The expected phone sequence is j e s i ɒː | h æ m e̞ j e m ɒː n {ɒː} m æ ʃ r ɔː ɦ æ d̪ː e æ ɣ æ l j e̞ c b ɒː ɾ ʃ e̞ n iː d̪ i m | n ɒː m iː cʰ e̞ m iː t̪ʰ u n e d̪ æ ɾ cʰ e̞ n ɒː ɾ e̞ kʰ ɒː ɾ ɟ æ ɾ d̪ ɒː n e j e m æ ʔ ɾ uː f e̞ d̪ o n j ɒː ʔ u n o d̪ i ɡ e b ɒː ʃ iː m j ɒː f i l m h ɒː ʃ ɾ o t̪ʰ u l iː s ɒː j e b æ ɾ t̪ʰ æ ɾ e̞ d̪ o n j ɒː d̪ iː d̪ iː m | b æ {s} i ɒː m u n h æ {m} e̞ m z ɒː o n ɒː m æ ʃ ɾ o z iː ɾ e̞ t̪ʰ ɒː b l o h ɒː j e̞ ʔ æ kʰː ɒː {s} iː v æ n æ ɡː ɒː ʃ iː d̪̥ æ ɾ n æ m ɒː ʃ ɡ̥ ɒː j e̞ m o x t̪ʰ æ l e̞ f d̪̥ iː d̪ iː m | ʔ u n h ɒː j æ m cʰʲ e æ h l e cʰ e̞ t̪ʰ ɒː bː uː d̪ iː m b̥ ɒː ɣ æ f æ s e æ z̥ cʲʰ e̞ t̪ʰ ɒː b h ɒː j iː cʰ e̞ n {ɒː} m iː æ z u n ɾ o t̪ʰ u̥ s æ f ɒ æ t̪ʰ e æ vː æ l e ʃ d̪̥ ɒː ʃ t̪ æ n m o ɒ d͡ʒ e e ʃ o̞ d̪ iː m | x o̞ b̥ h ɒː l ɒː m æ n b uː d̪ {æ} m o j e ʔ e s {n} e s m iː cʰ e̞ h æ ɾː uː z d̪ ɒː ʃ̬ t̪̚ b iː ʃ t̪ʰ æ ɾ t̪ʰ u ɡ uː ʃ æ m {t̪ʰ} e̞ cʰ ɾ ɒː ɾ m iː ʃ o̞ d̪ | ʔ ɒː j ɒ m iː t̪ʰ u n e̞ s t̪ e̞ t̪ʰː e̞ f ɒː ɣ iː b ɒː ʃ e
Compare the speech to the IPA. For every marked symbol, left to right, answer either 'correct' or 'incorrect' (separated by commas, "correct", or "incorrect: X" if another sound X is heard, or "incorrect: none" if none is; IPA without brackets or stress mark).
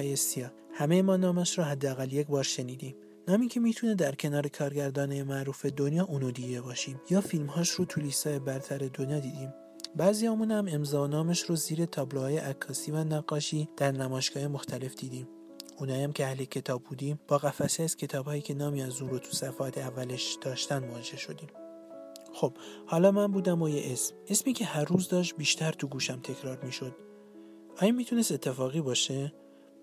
correct, incorrect: z, correct, correct, correct, correct, incorrect: m, correct